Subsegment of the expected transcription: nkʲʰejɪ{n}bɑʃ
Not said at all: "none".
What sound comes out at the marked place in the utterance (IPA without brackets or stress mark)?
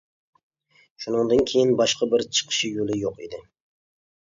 n